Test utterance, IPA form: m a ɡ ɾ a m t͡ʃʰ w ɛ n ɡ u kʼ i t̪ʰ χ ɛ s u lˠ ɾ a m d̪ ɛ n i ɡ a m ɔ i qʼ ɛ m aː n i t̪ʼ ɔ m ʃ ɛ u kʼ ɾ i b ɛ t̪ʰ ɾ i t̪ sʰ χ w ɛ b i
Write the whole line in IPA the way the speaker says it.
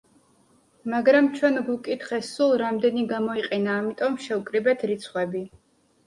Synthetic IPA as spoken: m a ɡ ɾ a m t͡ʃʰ w ɛ n ɡ u kʼ i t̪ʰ χ ɛ s u lˠ ɾ a m d̪ ɛ n i ɡ a m ɔ i qʼ ɛ n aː m i t̪ʼ ɔ m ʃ ɛ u kʼ ɾ i b ɛ t̪ʰ ɾ i t̪ sʰ χ w ɛ b i